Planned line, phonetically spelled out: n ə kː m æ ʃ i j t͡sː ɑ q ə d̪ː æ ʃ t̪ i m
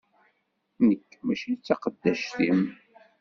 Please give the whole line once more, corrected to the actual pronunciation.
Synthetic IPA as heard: n ə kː m æ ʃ i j t͡sː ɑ q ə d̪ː æ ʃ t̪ i m

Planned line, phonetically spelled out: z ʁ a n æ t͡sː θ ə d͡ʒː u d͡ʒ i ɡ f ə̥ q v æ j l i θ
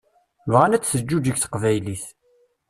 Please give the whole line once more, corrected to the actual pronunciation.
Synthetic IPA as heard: v ʁ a n æ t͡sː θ ə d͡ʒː u d͡ʒ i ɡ θ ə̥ q v æ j l i θ

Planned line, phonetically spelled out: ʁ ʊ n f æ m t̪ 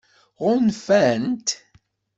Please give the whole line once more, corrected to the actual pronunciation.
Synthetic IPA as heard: ʁ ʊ n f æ n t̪

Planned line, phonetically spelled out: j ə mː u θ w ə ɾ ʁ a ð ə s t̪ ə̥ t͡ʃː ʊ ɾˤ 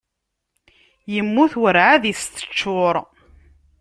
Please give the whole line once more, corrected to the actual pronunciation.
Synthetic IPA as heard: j ə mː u θ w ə ɾ ʕ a ð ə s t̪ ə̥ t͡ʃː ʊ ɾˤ

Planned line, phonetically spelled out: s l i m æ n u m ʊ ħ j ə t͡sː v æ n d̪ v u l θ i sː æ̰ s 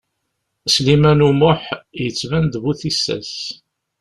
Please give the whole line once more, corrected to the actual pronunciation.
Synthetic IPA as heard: s l i m æ n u m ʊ ħ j ə t͡sː v æ n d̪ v u θ i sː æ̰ s

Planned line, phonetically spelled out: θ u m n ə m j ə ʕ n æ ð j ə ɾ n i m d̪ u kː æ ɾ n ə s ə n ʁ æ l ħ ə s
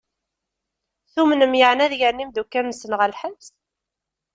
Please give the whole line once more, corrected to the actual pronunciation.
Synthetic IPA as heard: θ u m n ə m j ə ʕ n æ ð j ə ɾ n i m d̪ u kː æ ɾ n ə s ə n ʁ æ l ħ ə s

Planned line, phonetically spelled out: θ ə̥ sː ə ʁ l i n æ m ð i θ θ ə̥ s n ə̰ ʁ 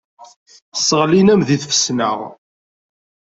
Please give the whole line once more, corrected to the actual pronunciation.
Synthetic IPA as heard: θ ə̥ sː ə ʁ l i n æ m ð i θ f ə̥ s n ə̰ ʁ

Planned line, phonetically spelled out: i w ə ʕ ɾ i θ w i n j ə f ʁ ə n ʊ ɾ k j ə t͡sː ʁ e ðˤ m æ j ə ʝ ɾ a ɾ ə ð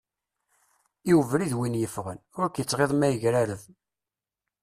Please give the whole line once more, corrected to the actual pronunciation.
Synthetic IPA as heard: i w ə v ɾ i ð w i n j ə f ʁ ə n ʊ ɾ k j ə t͡sː ʁ e ðˤ m æ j ə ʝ ɾ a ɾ ə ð

